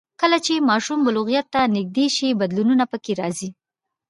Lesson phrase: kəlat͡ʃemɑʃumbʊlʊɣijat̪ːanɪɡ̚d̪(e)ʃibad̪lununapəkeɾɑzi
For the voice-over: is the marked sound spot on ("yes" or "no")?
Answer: yes